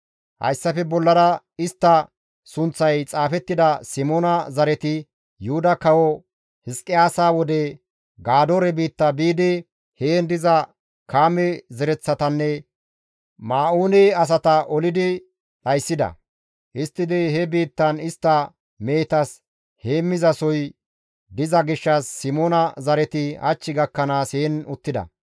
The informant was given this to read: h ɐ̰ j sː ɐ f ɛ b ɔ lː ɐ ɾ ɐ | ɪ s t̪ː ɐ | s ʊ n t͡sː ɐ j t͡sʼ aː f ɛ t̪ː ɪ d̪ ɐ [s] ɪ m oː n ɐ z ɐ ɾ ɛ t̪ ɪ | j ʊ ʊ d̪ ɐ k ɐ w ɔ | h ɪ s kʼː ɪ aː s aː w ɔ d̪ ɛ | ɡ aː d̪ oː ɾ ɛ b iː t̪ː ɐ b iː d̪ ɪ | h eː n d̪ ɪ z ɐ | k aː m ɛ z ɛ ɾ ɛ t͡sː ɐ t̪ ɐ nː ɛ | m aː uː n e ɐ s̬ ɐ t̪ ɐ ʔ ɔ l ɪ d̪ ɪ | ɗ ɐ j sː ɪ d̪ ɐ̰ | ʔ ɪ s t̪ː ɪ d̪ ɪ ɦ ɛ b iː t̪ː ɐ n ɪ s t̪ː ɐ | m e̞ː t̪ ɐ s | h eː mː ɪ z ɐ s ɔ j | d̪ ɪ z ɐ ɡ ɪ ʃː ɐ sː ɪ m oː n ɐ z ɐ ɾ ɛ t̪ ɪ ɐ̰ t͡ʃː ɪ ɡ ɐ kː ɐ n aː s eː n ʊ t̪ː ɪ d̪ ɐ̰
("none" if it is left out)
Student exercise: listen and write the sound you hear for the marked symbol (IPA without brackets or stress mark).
s